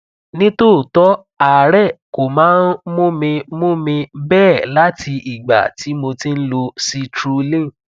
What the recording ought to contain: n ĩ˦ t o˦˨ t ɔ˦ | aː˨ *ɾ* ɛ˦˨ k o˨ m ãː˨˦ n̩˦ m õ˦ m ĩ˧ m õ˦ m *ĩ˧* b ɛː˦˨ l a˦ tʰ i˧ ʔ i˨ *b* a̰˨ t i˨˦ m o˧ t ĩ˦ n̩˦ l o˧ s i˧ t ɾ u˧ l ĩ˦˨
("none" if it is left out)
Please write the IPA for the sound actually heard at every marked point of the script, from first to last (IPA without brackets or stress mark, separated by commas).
ɾ, ĩ˧, ɡ͡b